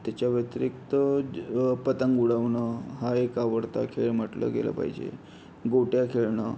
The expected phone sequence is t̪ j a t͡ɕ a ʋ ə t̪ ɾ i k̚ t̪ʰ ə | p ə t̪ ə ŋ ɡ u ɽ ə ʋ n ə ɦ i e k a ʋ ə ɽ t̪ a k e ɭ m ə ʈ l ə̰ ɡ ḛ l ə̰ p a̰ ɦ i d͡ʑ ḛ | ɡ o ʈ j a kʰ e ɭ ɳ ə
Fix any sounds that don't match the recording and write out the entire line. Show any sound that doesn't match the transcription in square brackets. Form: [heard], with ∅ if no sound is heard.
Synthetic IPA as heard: t̪ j a t͡ɕ a ʋ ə t̪ ɾ i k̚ [t̪] ə | p ə t̪ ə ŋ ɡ u ɽ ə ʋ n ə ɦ [a] e k a ʋ ə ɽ t̪ a [kʰ] e ɭ m ə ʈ l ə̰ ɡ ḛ l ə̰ p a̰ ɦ i d͡ʑ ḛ | ɡ o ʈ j a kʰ e ɭ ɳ ə

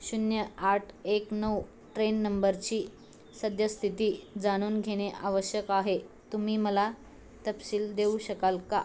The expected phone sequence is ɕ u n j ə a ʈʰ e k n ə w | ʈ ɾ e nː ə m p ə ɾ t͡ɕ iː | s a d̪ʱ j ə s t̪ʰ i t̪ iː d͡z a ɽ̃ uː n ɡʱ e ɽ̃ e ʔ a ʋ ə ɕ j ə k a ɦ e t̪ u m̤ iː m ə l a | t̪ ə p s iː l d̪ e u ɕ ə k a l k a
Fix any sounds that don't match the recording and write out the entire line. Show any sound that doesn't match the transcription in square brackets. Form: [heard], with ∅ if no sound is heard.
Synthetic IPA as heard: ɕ u n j ə a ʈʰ e k n ə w | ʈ ɾ e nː ə m [b] ə ɾ t͡ɕ iː | s [ə] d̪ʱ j ə s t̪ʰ i t̪ iː d͡z a ɽ̃ uː n ɡʱ e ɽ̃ e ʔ a ʋ ə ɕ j ə k a ɦ e t̪ u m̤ iː m ə l a | t̪ ə p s iː l d̪ e u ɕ ə k a l k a

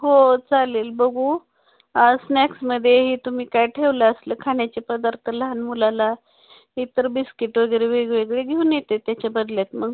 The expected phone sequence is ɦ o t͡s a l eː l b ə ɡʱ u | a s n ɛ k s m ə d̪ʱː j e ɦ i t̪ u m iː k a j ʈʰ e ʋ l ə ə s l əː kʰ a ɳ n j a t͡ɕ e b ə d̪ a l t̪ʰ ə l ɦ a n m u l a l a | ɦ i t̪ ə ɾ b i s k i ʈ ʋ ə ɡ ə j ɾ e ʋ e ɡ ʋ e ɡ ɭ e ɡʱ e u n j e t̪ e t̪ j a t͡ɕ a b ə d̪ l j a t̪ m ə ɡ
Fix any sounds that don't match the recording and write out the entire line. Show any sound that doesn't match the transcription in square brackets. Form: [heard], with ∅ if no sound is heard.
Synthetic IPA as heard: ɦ o t͡s a l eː l b ə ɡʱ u | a s n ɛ k s m ə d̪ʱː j e ɦ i t̪ u m iː k a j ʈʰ e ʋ l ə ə s l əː kʰ a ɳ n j a t͡ɕ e [p] ə d̪ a [ɾ] t̪ʰ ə l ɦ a n m u l a l a | ɦ i t̪ ə ɾ b i s k i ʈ ʋ ə ɡ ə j ɾ e ʋ e ɡ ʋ e ɡ ɭ e ɡʱ e u n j e t̪ e t̪ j a t͡ɕ a b ə d̪ l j a t̪ m ə ɡ

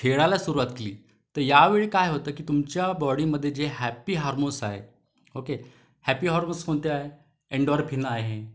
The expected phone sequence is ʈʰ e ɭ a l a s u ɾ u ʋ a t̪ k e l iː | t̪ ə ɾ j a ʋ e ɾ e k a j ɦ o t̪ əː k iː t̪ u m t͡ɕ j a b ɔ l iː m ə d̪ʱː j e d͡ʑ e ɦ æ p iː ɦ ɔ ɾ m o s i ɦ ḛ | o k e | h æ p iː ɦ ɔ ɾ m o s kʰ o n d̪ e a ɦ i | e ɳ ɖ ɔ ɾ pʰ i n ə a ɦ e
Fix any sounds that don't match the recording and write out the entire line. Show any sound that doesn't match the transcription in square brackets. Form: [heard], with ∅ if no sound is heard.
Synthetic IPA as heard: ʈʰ e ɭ a l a s u ɾ u ʋ a t̪ k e l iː | t̪ ə ɾ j a ʋ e [ɭ] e k a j ɦ o t̪ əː k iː t̪ u m t͡ɕ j a b ɔ [ɽ] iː m ə d̪ʱː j e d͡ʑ e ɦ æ p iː ɦ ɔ ɾ m o s [a] ɦ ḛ | o k e | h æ p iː ɦ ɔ ɾ m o s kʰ o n [t̪] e a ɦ [e] | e ɳ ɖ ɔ ɾ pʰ i n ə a ɦ e

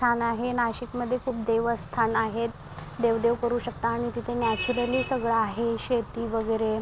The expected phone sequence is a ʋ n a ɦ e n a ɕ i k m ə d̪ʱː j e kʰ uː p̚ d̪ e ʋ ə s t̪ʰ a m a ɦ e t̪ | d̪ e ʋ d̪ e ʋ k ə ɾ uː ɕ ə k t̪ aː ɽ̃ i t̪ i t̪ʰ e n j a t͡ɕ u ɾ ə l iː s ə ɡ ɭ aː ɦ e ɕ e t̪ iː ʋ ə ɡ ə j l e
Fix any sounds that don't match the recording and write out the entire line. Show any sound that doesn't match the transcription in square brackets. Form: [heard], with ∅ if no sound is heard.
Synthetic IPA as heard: a [∅] n a ɦ e n a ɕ i k m ə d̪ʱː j e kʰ uː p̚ d̪ e ʋ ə s t̪ʰ a [n] a ɦ e t̪ | d̪ e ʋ d̪ e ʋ k ə ɾ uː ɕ ə k t̪ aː ɽ̃ i t̪ i t̪ʰ e n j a t͡ɕ u ɾ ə l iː s ə ɡ ɭ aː ɦ e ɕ e t̪ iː ʋ ə ɡ ə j [ɾ] e

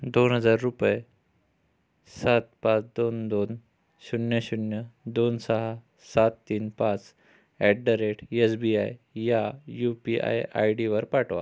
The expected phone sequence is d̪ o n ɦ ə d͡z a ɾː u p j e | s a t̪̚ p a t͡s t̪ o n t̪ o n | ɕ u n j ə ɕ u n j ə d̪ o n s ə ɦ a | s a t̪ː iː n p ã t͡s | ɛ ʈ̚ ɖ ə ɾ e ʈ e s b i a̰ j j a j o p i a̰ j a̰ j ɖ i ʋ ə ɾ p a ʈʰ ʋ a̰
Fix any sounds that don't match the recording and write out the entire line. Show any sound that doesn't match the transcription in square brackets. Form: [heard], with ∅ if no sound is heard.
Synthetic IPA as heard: d̪ o n ɦ ə d͡z a ɾː u p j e | s a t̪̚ p a t͡s [d̪] o n [d̪] o n | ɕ u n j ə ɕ u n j ə d̪ o n s ə ɦ a | s a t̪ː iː n p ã t͡s | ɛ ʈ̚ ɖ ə ɾ e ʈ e s b i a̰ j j a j [u] p i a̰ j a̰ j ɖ i ʋ ə ɾ p a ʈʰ ʋ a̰

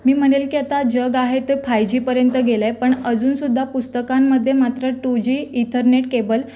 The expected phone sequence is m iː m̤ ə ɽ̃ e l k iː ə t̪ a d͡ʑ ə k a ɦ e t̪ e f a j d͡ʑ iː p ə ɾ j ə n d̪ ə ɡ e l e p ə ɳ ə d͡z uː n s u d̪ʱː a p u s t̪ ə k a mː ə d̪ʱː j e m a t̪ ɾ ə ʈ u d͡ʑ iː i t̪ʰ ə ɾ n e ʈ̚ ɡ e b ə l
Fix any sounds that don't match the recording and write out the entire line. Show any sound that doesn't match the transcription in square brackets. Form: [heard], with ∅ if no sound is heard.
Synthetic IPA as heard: m iː m̤ ə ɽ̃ e l k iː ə t̪ a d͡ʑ ə [ɡ] a ɦ e t̪ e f a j d͡ʑ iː p ə ɾ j ə n [t̪] ə ɡ e l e p ə ɳ ə d͡z uː n s u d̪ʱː a p u s t̪ ə k a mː ə d̪ʱː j e m a t̪ ɾ ə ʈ u d͡ʑ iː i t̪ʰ ə ɾ n e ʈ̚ [k] e b ə l

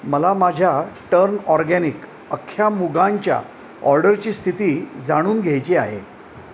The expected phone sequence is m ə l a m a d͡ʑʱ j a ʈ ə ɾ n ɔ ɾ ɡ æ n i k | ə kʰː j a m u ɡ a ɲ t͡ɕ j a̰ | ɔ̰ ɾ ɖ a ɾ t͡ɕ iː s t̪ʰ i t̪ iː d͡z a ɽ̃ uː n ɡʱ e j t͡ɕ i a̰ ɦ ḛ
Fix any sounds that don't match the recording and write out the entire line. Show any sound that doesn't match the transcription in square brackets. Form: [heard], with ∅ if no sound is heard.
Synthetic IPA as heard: m ə l a m a d͡ʑʱ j a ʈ ə ɾ n ɔ ɾ ɡ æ n i k | ə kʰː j a m u ɡ a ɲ t͡ɕ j a̰ | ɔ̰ ɾ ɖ [ə] ɾ t͡ɕ iː s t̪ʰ i t̪ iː d͡z a ɽ̃ uː n ɡʱ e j t͡ɕ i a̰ ɦ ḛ

